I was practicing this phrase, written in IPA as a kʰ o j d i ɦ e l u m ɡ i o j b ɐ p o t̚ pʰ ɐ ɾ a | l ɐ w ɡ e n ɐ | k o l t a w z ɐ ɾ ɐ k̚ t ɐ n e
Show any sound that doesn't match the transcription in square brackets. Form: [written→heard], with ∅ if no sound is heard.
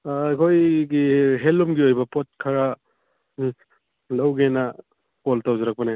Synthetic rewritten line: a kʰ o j [d→ɡ] i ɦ e l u m ɡ i o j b ɐ p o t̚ [pʰ→kʰ] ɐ ɾ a | l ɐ w ɡ e n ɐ | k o l t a w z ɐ ɾ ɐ k̚ [t→p] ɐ n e

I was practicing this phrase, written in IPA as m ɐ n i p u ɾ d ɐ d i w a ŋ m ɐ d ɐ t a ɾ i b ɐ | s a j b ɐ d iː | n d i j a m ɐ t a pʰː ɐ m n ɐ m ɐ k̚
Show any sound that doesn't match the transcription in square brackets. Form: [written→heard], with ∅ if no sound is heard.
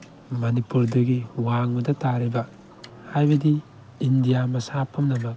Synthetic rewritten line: m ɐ n i p u ɾ d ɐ [d→ɡ] i w a ŋ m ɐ d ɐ t a ɾ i b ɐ | [s→h] a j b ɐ d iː | n d i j a m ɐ [t→s] a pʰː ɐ m n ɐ m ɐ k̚

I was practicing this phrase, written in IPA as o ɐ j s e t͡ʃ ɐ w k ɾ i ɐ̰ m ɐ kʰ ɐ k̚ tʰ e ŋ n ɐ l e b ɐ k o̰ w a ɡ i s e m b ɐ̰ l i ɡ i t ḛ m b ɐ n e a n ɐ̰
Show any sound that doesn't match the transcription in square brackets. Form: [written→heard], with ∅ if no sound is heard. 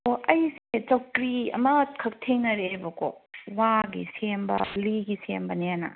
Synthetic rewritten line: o ɐ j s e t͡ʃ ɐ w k ɾ i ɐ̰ m ɐ kʰ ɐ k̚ tʰ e ŋ n ɐ [l→ɾ] e b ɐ k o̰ w a ɡ i s e m b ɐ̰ l i ɡ i [t→s] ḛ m b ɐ n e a n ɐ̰

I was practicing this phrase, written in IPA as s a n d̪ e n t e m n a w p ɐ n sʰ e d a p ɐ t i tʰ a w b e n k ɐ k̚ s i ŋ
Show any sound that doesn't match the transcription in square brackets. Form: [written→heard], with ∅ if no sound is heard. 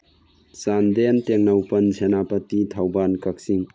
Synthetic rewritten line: s a n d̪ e n t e [m→ŋ] n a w p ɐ n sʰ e [d→n] a p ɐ t i tʰ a w b [e→a] n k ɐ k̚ s i ŋ

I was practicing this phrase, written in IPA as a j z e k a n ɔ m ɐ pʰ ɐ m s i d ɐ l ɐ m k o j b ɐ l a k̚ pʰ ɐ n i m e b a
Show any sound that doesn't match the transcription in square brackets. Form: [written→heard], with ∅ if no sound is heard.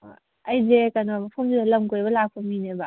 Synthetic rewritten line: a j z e k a n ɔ m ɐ pʰ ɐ m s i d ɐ l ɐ m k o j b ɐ l a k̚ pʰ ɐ [n→m] i [m→n] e b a

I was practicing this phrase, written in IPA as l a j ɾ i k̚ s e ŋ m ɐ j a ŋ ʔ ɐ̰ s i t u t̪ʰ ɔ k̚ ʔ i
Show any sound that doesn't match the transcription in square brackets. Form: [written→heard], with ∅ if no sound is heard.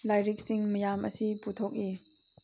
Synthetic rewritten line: l a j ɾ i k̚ s [e→i] ŋ m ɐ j a [ŋ→m] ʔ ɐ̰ s i [t→p] u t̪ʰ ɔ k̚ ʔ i

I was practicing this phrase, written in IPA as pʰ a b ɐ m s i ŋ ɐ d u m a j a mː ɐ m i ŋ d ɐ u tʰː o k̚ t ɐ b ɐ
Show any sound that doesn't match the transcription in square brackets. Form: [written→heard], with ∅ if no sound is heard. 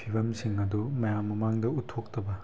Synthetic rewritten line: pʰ [a→i] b ɐ m s i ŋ ɐ d u m [a→ɐ] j a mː ɐ m [i→a] ŋ d ɐ u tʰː o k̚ t ɐ b ɐ

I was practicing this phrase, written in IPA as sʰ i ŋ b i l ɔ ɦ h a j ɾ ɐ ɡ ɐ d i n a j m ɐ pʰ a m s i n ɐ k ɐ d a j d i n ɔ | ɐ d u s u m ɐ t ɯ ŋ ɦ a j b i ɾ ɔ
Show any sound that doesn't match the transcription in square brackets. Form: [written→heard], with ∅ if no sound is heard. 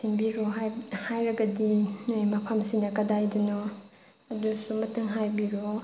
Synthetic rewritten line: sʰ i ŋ b i [l→ɾ] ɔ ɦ h a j ɾ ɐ ɡ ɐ d i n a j m ɐ pʰ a m s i n ɐ k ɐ d a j d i n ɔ | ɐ d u s u m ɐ t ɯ ŋ ɦ a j b i ɾ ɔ

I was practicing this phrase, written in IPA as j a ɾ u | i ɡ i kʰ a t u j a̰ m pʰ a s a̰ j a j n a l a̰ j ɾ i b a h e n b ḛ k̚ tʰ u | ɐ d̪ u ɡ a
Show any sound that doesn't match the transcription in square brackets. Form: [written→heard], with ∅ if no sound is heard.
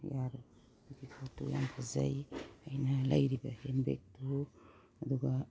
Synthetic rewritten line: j a ɾ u | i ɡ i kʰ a t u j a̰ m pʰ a [s→z] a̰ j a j n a l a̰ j ɾ i b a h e n b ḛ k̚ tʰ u | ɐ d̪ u ɡ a

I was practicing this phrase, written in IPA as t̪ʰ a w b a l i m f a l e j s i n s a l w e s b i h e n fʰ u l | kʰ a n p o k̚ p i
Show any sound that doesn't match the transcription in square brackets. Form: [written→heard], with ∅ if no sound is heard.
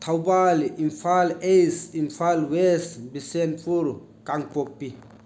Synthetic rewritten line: t̪ʰ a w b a l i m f a l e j s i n [s→f] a l w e s b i [h→s] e n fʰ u [l→ɾ] | [kʰ→k] a [n→ŋ] p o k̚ p i

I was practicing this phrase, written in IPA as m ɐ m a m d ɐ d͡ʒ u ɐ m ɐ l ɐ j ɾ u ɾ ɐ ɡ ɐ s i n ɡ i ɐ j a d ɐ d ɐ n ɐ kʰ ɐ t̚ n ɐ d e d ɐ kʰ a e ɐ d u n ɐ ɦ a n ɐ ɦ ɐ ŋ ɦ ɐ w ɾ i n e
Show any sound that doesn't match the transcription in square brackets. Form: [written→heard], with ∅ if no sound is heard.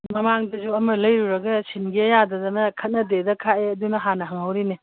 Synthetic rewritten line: m ɐ m a [m→ŋ] d ɐ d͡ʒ u ɐ m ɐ l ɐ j ɾ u ɾ ɐ ɡ ɐ s i n ɡ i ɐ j a d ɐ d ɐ n ɐ kʰ ɐ t̚ n ɐ d e d ɐ kʰ a e ɐ d u n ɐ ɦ a n ɐ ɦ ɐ ŋ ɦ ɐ w ɾ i n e

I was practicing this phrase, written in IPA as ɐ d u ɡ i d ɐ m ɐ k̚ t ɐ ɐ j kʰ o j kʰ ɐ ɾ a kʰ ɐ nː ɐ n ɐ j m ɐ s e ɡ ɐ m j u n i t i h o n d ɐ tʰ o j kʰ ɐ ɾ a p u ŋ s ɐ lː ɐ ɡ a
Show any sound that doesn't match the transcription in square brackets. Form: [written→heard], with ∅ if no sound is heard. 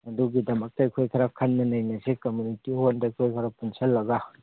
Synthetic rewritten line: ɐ d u ɡ i d ɐ m ɐ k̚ t ɐ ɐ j kʰ o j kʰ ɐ ɾ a kʰ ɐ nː ɐ n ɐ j [m→n] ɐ s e [ɡ→k] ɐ m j u n i t i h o n d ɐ [tʰ→kʰ] o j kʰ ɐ ɾ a p u [ŋ→n] s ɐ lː ɐ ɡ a

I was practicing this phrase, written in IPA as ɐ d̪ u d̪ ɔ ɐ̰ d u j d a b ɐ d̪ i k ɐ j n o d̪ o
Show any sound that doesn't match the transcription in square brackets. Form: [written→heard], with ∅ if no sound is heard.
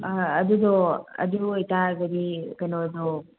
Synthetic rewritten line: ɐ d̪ u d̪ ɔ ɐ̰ d u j [d→t] a [b→ɡ] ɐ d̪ i k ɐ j n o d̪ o

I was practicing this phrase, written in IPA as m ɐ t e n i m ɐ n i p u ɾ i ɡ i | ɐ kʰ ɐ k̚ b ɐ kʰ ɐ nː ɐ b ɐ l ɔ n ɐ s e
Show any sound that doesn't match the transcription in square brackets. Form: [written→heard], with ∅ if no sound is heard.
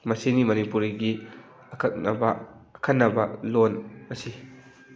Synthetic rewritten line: m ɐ [t→s] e n i m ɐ n i p u ɾ i ɡ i | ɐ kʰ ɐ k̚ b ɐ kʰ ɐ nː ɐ b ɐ l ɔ n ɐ s [e→i]

